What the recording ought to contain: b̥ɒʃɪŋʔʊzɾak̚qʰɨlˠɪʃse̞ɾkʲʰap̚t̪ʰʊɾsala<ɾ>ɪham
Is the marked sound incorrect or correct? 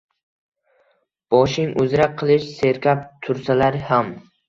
correct